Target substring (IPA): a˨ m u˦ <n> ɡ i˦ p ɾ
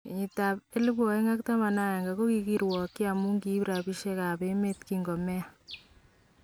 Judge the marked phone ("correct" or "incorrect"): incorrect